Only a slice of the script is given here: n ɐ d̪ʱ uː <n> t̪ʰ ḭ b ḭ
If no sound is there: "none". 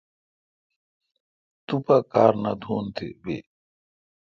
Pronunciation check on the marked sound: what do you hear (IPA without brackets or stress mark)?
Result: n